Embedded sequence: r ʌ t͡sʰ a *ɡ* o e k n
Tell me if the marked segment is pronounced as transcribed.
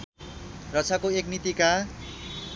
no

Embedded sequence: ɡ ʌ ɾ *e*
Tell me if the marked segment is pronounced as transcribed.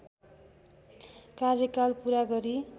no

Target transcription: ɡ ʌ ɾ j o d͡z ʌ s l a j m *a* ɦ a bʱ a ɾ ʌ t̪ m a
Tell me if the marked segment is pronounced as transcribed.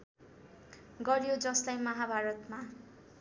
no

